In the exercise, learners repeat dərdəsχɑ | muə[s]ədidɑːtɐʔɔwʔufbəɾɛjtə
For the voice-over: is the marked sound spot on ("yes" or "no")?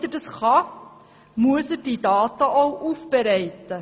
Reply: yes